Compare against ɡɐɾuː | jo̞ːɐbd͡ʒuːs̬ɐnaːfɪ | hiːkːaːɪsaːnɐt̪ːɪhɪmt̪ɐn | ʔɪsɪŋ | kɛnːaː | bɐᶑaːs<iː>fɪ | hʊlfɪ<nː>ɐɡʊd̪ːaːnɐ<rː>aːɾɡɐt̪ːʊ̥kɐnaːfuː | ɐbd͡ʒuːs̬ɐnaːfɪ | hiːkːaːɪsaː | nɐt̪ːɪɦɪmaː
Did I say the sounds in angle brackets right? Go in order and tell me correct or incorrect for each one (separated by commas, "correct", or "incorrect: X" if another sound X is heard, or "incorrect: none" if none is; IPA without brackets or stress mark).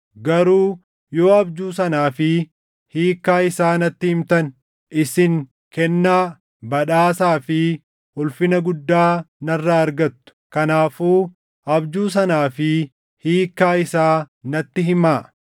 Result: incorrect: aː, incorrect: n, correct